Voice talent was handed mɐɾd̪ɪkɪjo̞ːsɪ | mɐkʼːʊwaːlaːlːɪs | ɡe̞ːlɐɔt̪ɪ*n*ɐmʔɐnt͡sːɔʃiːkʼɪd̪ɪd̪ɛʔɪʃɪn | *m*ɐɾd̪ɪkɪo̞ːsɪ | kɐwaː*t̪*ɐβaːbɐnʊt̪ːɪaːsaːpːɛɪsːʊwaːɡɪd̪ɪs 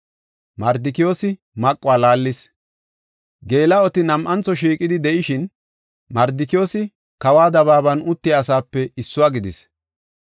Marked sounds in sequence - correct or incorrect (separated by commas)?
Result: correct, correct, incorrect